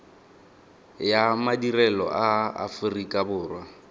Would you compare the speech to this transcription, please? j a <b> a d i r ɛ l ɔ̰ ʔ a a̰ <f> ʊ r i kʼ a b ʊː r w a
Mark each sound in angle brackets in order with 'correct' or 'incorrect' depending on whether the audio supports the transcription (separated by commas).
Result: incorrect, correct